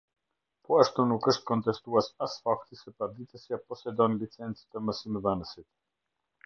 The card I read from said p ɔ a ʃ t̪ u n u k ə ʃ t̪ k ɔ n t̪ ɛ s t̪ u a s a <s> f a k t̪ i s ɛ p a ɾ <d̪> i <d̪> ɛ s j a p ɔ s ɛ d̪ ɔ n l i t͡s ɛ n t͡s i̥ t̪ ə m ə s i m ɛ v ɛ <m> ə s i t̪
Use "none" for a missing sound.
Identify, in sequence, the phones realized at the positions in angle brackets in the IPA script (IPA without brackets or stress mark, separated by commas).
s, d̪, t̪, n